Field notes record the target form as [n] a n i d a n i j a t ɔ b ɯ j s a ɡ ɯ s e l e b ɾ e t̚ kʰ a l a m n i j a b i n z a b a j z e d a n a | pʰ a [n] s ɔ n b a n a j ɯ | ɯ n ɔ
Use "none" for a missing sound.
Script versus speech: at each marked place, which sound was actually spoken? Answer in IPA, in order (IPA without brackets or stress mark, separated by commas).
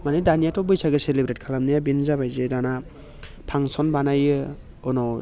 m, ŋ